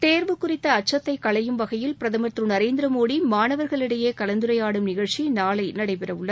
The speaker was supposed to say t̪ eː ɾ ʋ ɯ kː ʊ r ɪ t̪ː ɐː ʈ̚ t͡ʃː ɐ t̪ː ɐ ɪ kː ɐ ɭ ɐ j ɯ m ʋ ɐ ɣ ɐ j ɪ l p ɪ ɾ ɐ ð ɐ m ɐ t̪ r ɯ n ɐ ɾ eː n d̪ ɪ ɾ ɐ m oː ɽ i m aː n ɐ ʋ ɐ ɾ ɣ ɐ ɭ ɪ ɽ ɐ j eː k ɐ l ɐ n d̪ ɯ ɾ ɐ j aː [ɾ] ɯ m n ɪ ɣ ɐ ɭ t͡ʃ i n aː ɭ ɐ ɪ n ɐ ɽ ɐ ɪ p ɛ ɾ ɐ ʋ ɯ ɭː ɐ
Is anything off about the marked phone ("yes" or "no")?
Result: yes